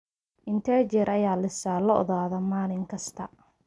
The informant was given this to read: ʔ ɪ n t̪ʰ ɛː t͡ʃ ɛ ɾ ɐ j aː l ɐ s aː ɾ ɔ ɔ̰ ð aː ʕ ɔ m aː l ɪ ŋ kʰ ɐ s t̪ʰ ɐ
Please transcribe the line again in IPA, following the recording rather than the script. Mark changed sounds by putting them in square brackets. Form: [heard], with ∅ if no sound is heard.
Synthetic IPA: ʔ ɪ n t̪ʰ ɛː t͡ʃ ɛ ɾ ɐ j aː l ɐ s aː [l] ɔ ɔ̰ ð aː [ð] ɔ m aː l ɪ ŋ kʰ ɐ s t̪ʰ ɐ